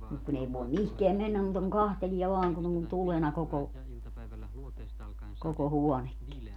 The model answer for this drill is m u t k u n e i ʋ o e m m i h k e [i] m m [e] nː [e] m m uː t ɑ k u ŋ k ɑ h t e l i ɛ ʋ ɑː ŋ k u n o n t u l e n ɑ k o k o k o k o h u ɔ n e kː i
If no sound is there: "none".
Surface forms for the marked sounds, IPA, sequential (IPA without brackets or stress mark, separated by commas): æ, e, æ